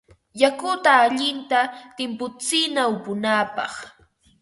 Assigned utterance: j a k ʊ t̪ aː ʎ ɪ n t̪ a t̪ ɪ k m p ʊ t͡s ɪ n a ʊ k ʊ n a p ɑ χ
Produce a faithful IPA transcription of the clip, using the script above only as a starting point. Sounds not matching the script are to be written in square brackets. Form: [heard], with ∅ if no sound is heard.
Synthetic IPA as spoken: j a k ʊ t̪ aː ʎ ɪ n t̪ a t̪ ɪ [∅] m p ʊ t͡s ɪ n a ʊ [p] ʊ n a p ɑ χ